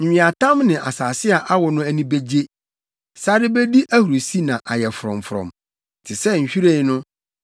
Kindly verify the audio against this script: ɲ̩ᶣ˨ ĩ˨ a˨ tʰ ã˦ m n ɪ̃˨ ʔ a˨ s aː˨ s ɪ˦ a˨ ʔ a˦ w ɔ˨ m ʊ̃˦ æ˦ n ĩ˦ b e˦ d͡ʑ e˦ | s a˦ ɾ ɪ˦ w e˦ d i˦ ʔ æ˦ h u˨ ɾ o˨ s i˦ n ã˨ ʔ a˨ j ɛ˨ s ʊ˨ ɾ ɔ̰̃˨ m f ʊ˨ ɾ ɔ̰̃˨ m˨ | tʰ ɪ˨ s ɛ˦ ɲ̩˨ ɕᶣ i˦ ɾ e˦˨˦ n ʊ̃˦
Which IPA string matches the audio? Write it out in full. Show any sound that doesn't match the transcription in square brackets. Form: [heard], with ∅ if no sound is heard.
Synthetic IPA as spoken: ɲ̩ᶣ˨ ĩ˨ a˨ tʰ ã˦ m n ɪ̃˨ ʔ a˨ s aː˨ s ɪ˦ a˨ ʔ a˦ w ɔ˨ [n] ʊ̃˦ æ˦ n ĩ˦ b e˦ d͡ʑ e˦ | s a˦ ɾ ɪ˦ [b] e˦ d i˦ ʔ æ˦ h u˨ ɾ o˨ s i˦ n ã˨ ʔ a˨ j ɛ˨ [f] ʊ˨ ɾ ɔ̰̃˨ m f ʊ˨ ɾ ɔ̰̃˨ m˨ | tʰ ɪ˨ s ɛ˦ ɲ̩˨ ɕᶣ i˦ ɾ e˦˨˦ n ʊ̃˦